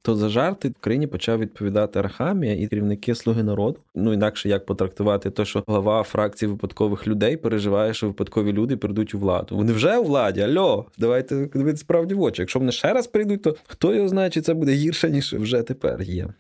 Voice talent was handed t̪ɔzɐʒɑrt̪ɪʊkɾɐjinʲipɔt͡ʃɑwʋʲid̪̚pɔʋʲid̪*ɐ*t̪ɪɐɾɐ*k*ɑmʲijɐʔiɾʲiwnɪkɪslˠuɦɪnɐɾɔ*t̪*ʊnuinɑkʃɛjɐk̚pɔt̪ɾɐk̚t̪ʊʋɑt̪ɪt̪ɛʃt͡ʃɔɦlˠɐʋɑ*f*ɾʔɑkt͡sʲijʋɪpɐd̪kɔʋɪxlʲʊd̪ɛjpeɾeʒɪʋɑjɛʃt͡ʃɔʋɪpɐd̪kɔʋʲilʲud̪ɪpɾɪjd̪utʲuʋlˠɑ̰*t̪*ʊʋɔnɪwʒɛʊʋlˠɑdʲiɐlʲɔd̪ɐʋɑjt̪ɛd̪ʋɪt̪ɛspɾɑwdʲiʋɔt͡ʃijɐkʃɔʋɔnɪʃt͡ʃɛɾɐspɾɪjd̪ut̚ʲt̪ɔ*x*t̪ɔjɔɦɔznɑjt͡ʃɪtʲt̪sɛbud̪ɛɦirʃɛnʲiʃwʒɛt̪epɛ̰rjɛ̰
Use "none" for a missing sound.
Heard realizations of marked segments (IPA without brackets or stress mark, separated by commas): ɑ, x, d̪, f, d̪, x